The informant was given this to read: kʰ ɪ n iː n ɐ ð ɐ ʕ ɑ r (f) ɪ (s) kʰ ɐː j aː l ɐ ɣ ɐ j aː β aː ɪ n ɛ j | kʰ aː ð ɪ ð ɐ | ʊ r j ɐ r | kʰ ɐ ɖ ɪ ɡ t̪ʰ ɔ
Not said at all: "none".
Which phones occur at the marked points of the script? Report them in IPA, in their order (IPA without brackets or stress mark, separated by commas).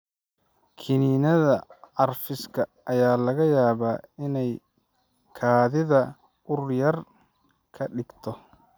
f, s